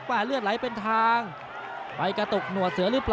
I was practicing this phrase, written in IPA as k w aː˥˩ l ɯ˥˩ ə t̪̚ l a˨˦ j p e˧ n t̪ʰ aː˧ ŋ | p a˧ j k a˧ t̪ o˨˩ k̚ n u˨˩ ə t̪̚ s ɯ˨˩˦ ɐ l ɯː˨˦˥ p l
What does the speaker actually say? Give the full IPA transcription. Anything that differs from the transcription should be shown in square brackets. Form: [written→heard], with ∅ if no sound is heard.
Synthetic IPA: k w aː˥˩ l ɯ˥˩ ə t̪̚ l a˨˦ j p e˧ n t̪ʰ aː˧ ŋ | p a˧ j k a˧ t̪ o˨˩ k̚ n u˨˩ ə t̪̚ s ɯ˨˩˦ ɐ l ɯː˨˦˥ p l